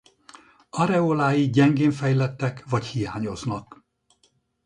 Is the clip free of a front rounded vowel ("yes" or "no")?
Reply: yes